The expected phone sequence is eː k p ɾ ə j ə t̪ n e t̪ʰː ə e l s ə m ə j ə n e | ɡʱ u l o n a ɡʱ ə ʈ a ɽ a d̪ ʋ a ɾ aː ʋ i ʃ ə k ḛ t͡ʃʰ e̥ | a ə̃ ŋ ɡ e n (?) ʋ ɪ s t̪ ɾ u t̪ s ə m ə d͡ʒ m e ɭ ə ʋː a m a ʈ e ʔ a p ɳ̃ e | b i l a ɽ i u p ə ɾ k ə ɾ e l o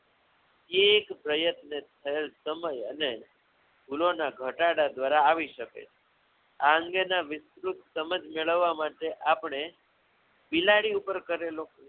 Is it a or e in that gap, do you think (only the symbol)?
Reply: a